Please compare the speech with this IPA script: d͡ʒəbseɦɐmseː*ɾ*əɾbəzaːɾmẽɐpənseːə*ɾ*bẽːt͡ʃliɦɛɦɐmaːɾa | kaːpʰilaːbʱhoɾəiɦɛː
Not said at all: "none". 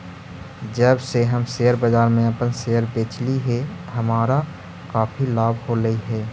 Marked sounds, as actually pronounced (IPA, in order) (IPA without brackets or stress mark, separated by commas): none, ɾ